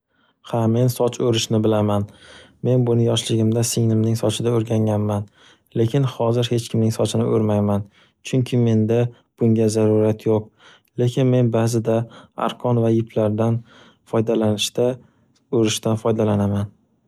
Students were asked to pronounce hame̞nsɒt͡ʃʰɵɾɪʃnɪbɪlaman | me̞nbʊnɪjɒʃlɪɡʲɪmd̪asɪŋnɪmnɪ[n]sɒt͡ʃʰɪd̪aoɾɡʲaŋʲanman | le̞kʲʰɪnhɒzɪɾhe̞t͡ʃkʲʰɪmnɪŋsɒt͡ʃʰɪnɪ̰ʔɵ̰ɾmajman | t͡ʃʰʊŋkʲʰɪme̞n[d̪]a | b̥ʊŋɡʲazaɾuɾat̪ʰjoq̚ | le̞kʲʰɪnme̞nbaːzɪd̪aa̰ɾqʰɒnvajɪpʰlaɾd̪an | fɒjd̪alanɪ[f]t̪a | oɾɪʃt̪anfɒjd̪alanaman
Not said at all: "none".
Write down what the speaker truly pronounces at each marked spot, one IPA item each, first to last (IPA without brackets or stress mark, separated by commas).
ŋ, d̪, ʃ